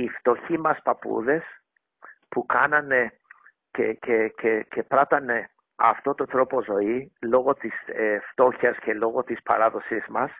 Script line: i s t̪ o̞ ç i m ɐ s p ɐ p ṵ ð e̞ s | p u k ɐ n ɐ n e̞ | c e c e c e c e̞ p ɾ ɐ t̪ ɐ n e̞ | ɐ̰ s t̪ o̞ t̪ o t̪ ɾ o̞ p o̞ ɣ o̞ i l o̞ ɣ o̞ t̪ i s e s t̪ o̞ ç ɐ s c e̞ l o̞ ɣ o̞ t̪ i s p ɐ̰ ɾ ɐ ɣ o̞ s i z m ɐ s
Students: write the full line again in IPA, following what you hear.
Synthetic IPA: i f t̪ o̞ ç i m ɐ s p ɐ p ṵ ð e̞ s | p u k ɐ n ɐ n e̞ | c e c e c e c e̞ p ɾ ɐ t̪ ɐ n e̞ | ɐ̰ f t̪ o̞ t̪ o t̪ ɾ o̞ p o̞ z o̞ i l o̞ ɣ o̞ t̪ i s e f t̪ o̞ ç ɐ s c e̞ l o̞ ɣ o̞ t̪ i s p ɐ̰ ɾ ɐ ð o̞ s i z m ɐ s